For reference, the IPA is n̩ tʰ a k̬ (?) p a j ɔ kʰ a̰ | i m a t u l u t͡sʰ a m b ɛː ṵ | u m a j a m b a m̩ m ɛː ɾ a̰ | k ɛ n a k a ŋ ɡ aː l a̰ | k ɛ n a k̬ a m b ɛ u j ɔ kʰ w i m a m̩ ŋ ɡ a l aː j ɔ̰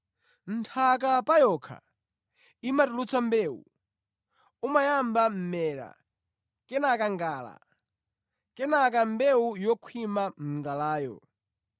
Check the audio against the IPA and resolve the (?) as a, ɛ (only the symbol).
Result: a